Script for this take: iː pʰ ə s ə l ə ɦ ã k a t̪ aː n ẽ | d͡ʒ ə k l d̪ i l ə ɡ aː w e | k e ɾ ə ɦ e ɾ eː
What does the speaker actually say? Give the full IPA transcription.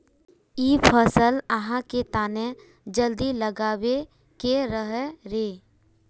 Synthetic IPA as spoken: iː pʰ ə s ə l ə ɦ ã k e t̪ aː n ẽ | d͡ʒ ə l d̪ i l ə ɡ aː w e | k e ɾ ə ɦ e ɾ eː